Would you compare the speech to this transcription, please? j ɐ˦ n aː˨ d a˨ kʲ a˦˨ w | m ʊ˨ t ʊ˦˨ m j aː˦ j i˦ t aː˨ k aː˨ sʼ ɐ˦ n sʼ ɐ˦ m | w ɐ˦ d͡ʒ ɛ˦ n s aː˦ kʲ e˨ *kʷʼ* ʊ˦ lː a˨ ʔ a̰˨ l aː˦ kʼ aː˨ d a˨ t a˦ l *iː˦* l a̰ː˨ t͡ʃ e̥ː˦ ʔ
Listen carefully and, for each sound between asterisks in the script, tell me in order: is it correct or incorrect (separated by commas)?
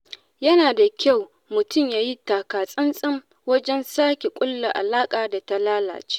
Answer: correct, incorrect